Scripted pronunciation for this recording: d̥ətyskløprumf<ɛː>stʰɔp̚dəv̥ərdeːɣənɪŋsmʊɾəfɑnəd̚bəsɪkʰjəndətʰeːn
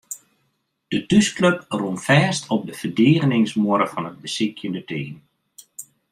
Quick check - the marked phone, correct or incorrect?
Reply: correct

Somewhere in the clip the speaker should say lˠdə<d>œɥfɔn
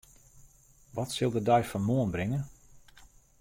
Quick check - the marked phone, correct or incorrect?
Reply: correct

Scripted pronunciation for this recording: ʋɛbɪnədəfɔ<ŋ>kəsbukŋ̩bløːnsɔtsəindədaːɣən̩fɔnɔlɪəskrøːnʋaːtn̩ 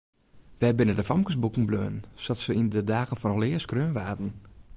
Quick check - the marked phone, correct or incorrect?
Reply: incorrect: m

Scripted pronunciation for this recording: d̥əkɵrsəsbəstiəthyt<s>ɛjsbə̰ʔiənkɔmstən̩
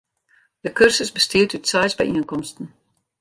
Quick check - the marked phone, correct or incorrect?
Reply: correct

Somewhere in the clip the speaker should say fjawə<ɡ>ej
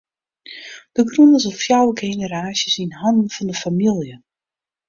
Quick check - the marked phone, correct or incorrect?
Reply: correct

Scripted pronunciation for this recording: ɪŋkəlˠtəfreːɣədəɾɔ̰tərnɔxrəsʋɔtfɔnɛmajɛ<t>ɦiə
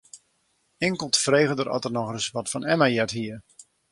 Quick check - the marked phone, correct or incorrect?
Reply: correct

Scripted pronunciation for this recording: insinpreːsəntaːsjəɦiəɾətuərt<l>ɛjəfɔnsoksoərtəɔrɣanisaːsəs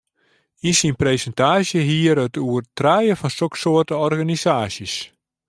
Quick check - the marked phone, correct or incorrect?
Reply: incorrect: r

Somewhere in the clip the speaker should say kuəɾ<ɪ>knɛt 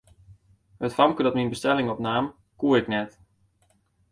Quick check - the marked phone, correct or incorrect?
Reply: correct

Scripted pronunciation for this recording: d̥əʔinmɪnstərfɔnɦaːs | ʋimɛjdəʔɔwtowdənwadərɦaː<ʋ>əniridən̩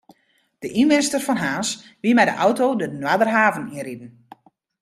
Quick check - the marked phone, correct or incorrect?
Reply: incorrect: v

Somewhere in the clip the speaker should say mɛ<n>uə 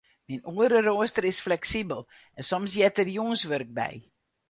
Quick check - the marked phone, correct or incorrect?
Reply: correct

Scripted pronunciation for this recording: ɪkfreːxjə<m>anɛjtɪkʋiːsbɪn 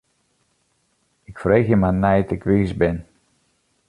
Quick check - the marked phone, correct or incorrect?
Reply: correct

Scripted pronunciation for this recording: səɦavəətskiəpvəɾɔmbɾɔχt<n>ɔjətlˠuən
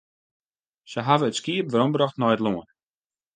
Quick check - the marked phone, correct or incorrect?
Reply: correct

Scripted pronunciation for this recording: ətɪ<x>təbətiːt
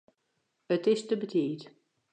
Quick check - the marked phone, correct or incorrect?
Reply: incorrect: s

